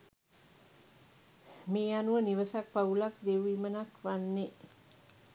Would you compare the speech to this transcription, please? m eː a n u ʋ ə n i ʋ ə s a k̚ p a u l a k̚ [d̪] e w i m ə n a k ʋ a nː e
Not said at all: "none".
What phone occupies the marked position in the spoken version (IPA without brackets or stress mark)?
d̪